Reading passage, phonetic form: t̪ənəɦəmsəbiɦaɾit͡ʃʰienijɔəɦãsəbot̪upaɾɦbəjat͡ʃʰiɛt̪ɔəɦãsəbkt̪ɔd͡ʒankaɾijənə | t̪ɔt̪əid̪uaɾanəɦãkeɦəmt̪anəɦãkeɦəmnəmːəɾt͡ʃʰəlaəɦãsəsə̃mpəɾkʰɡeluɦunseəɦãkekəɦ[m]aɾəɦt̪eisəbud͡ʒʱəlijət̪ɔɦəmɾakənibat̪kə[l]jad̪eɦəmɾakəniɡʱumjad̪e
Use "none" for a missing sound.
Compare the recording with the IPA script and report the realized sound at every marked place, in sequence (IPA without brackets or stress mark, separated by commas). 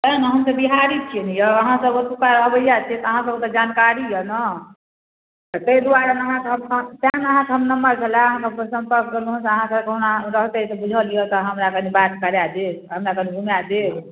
n, ɾ